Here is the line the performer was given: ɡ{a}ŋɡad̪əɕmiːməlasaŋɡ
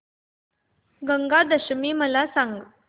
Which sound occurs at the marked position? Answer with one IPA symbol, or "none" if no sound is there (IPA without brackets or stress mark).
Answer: ə